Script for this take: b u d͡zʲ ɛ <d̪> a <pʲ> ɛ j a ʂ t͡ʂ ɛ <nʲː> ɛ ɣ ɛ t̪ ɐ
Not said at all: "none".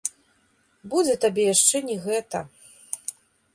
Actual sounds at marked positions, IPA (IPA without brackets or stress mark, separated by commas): t̪, bʲ, nʲ